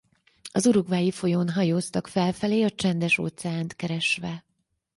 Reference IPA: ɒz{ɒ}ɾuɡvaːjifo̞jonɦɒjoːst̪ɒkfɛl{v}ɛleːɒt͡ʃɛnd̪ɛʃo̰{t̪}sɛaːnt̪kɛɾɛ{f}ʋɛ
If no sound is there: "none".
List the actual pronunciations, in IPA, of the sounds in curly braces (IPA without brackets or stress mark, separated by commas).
u, f, t̪, ʃ